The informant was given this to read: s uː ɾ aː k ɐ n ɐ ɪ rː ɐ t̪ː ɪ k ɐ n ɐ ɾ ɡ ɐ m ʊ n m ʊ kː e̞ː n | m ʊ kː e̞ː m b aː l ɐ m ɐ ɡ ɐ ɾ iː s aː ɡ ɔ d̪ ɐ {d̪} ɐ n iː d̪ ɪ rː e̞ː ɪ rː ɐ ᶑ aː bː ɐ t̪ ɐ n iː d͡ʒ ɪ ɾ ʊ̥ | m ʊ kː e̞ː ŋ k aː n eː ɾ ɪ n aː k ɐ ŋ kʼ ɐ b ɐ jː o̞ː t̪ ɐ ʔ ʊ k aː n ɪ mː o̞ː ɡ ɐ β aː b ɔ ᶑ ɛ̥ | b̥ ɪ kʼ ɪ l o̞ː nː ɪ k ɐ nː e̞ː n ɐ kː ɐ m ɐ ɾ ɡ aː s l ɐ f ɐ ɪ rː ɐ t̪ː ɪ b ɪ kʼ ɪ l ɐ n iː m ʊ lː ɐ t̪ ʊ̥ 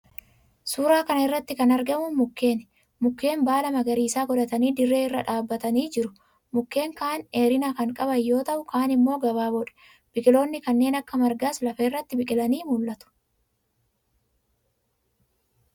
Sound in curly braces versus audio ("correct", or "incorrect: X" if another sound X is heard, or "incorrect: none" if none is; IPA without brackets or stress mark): incorrect: t̪